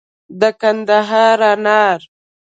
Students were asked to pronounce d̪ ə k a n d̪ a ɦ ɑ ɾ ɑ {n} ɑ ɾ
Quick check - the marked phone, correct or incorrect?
correct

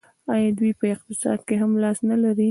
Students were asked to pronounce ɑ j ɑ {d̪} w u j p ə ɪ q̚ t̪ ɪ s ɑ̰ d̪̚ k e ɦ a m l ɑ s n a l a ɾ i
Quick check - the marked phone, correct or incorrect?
correct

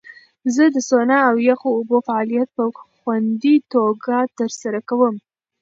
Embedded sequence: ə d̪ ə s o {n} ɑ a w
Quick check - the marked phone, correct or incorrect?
correct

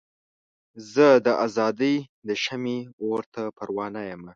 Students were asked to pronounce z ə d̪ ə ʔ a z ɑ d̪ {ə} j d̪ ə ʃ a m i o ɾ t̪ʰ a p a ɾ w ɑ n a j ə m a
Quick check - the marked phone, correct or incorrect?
correct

